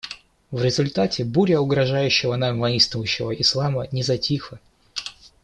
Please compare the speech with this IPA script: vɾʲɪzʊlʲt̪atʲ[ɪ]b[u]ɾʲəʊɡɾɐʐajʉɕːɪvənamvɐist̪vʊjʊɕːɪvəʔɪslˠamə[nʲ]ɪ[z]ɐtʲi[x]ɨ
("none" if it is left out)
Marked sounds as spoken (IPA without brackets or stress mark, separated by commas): ɪ, u, nʲ, z, x